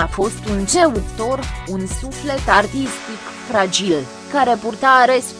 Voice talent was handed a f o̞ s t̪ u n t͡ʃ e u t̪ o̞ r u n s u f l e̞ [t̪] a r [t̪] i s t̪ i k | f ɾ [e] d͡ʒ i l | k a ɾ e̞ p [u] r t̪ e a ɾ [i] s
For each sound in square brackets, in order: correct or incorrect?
correct, correct, incorrect: a, correct, incorrect: e

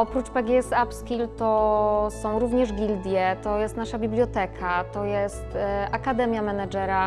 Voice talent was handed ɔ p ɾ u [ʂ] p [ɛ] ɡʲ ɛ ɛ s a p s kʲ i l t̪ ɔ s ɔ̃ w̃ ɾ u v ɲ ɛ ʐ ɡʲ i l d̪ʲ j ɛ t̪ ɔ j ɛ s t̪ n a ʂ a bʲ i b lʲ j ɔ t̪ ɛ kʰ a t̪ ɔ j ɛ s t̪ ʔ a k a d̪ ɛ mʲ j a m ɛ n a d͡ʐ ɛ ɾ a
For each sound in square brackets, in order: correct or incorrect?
incorrect: t͡ʂ, correct

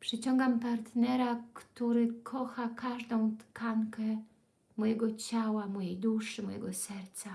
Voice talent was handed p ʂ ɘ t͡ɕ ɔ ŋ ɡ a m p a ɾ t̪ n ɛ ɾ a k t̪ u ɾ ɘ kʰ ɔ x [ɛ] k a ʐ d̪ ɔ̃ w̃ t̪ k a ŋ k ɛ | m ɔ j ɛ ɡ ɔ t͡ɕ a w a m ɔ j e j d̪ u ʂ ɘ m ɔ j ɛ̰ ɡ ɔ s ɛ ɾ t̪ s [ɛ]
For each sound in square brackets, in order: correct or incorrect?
incorrect: a, incorrect: a

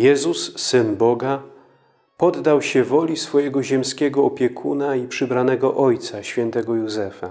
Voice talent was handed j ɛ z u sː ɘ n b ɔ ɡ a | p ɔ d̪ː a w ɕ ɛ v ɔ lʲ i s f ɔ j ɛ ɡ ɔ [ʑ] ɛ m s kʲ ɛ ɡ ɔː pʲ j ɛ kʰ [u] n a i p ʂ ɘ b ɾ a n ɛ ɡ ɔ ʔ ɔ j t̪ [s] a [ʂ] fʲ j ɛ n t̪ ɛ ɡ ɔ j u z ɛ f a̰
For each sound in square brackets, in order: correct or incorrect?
correct, correct, correct, incorrect: ɕ

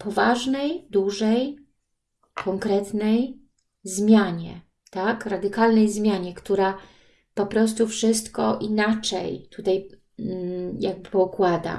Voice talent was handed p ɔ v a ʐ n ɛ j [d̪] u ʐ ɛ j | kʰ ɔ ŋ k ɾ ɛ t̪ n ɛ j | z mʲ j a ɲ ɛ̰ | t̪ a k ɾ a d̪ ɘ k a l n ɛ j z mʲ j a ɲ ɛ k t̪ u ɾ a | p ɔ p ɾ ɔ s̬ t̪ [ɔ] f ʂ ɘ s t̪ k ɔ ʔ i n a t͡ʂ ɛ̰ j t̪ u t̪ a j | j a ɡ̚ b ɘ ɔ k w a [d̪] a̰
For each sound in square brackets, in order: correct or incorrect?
correct, incorrect: u, correct

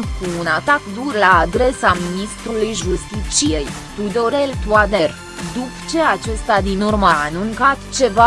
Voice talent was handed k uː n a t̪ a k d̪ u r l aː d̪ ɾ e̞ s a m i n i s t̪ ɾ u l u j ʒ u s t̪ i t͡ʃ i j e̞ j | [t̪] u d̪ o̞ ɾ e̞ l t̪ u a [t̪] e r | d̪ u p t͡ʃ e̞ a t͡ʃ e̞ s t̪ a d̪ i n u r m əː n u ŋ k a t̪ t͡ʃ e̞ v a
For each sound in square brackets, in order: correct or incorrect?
correct, incorrect: d̪

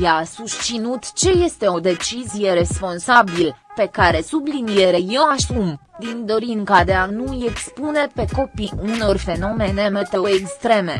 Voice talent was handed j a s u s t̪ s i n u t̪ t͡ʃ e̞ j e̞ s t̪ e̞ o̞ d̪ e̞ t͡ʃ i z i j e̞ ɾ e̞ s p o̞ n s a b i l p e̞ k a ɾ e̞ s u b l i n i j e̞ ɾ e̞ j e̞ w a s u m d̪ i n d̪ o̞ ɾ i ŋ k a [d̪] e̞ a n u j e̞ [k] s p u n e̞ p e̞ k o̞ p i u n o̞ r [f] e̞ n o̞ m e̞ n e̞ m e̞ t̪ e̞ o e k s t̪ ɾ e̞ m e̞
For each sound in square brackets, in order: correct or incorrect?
correct, correct, correct

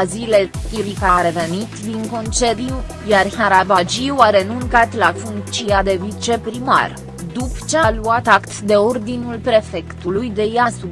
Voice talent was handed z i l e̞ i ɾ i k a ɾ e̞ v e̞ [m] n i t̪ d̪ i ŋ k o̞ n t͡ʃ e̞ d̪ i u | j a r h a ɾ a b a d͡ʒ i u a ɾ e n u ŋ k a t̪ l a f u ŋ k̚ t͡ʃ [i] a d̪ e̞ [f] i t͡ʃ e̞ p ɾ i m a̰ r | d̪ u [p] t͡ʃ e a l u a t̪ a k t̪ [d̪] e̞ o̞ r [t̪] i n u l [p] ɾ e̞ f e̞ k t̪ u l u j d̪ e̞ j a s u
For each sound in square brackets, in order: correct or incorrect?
incorrect: none, correct, incorrect: v, correct, correct, incorrect: d̪, correct

